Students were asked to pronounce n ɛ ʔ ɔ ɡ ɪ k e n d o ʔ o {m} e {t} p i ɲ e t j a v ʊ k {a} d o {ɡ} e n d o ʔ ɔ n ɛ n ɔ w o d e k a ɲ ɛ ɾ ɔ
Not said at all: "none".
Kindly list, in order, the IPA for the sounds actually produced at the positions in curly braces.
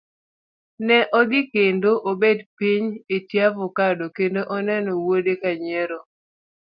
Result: b, d, a, k

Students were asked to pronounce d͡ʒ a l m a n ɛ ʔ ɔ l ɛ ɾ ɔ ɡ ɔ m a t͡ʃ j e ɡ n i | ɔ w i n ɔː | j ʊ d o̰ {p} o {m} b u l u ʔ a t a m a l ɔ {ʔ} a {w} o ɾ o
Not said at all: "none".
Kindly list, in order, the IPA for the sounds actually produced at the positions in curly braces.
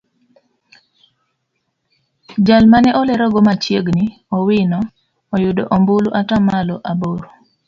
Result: ʔ, m, ʔ, b

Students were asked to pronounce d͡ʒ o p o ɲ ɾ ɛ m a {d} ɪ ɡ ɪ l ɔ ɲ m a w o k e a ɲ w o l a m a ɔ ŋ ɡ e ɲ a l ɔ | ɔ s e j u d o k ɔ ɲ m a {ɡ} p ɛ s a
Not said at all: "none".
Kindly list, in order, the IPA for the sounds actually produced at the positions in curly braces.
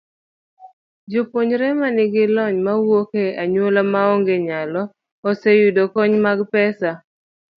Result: n, ɡ

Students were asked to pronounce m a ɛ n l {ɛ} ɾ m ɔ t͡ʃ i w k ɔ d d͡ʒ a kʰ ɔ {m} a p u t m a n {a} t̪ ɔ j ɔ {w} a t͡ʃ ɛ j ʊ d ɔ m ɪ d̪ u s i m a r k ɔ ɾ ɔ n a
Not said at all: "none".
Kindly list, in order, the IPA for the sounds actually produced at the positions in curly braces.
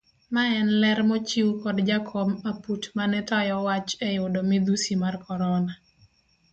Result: ɛ, m, ɛ, w

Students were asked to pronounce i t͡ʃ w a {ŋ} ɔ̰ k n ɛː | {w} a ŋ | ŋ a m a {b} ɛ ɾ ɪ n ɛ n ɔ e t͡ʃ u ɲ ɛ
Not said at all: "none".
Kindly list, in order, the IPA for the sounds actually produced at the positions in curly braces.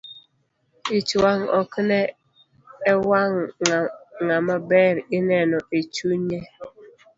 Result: ŋ, w, b

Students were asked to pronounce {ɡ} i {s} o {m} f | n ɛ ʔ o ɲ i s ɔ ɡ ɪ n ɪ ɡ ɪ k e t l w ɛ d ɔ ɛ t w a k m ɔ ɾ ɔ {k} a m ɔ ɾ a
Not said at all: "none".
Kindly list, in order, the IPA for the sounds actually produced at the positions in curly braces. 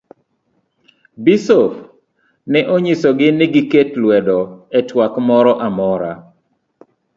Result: b, s, none, ʔ

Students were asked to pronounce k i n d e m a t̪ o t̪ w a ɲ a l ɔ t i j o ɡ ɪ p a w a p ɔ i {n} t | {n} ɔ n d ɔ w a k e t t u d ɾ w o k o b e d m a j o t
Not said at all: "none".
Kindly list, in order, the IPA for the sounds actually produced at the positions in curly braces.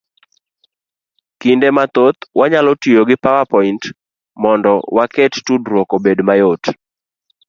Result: n, m

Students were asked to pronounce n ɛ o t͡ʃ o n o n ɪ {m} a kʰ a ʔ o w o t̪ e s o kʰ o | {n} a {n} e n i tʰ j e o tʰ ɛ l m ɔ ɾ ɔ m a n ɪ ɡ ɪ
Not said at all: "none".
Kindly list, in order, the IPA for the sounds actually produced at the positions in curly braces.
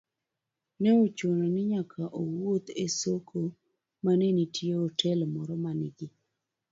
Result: ɲ, m, n

